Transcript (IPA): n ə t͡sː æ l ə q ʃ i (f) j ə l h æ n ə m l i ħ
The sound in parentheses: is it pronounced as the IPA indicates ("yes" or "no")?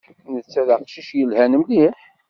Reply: no